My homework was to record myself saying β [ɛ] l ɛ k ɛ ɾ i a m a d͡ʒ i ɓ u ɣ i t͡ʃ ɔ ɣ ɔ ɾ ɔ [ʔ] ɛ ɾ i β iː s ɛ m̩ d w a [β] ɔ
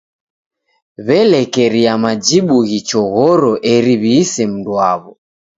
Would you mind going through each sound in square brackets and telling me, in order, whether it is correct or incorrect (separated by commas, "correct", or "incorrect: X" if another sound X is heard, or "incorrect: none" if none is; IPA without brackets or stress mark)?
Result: correct, correct, correct